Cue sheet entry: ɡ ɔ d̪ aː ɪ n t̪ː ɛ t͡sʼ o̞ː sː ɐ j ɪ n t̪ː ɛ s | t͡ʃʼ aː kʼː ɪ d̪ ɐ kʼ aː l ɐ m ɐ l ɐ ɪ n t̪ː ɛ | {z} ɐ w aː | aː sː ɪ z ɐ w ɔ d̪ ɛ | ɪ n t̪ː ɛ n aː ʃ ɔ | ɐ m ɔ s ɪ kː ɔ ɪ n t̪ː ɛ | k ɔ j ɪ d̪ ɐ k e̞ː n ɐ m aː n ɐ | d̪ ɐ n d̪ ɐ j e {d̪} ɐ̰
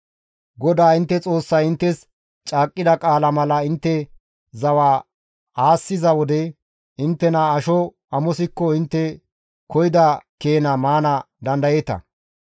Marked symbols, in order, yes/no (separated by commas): yes, no